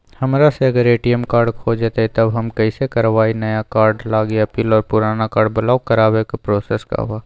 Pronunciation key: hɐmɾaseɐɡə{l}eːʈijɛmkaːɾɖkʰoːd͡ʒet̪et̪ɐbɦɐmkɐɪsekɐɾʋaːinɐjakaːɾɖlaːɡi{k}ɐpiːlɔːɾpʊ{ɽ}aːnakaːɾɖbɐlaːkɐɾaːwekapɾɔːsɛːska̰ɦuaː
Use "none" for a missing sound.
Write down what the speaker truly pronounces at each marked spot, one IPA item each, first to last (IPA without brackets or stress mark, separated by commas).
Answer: ɾ, none, ɾ